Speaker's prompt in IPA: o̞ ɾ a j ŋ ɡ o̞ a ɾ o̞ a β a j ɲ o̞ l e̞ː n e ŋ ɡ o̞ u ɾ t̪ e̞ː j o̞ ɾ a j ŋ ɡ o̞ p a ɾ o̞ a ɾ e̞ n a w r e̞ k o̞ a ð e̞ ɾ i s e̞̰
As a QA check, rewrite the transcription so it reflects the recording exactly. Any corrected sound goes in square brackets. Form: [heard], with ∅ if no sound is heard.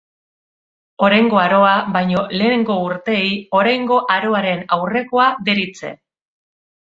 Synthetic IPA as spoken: o̞ ɾ a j ŋ ɡ o̞ a ɾ o̞ a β a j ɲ o̞ l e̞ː n e ŋ ɡ o̞ u ɾ t̪ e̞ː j o̞ ɾ a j ŋ ɡ o̞ [ʔ] a ɾ o̞ a ɾ e̞ n a w r e̞ k o̞ a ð e̞ ɾ i [t͡s] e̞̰

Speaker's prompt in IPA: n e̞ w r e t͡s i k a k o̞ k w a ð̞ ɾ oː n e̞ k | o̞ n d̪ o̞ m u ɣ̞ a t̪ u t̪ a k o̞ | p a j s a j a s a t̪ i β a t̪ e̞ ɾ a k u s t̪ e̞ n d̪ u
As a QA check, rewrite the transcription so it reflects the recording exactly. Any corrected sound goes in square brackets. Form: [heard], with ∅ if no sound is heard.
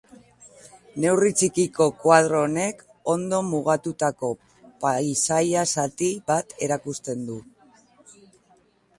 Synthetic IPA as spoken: n e̞ w r [i] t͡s i k [i] k o̞ k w a ð̞ ɾ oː n e̞ k | o̞ n d̪ o̞ m u ɣ̞ a t̪ u t̪ a k o̞ | p a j s a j a s a t̪ i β a t̪ e̞ ɾ a k u s t̪ e̞ n d̪ u

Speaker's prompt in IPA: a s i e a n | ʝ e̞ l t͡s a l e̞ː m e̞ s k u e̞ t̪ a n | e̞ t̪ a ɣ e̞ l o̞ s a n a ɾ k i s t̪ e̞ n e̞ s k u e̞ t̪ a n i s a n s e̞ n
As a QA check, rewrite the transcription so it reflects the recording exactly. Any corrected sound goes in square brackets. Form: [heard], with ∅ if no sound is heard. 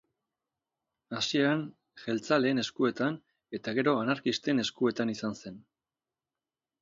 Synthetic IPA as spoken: a s i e a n | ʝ e̞ l t͡s a l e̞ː [n] e̞ s k u e̞ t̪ a n | e̞ t̪ a ɣ e̞ [ɾ] o̞ [∅] a n a ɾ k i s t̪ e̞ n e̞ s k u e̞ t̪ a n i s a n s e̞ n

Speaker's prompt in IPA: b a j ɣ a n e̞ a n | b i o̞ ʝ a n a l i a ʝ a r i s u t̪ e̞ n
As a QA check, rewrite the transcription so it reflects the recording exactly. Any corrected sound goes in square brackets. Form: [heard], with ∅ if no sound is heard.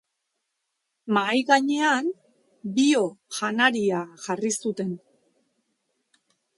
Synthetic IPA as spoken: [m] a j ɣ a [ɲ] e̞ a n | b i o̞ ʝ a n a [ɾ] i a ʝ a r i s u t̪ e̞ n

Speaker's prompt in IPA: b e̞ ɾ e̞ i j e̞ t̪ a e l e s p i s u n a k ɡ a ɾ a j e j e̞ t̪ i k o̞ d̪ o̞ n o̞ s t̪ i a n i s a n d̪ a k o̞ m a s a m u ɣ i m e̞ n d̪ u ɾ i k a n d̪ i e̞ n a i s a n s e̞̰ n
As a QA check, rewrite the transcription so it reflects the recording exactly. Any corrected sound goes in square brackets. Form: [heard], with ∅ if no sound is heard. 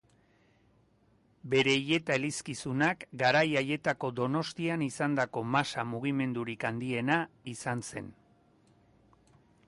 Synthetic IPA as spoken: b e̞ ɾ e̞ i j e̞ t̪ a e l [i] s [k] i s u n a k ɡ a ɾ a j [a] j e̞ t̪ [a] k o̞ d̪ o̞ n o̞ s t̪ i a n i s a n d̪ a k o̞ m a s a m u ɣ i m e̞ n d̪ u ɾ i k a n d̪ i e̞ n a i s a n s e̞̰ n

